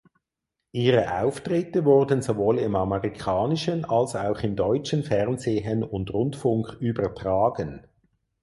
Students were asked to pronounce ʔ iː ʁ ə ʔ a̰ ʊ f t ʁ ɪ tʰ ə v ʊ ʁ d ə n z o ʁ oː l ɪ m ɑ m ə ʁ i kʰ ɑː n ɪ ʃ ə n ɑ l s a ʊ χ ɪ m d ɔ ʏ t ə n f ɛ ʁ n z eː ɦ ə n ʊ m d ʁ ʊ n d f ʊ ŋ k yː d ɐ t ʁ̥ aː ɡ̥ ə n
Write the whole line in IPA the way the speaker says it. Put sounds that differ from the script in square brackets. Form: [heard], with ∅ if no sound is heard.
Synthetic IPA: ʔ iː ʁ ə ʔ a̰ ʊ f t ʁ ɪ [t] ə v ʊ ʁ d ə n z o [v] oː l ɪ m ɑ m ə ʁ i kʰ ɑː n ɪ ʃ ə n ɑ l s a ʊ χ ɪ m d ɔ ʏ [t͡ʃ] ə n f ɛ ʁ n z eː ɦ ə n ʊ [n] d ʁ ʊ n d f ʊ ŋ k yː [b] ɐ t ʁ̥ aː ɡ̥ ə n